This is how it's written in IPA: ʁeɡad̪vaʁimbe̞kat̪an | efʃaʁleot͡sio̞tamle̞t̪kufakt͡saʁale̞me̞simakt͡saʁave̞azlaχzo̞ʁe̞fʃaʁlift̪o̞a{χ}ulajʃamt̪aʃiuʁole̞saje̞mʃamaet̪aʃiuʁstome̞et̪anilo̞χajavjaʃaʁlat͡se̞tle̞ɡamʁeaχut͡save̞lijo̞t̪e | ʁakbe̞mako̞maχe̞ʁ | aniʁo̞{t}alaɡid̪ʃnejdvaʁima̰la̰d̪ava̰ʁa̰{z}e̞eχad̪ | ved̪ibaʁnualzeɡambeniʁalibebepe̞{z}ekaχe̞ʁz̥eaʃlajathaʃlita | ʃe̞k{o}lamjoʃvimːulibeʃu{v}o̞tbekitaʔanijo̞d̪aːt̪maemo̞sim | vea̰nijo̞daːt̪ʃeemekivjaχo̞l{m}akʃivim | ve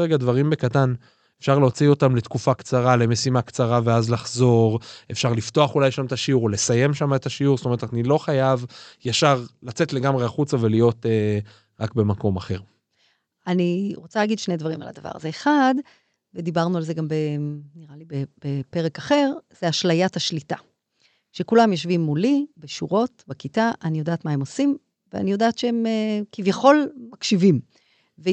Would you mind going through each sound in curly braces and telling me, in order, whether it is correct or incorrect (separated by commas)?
correct, incorrect, correct, incorrect, incorrect, incorrect, correct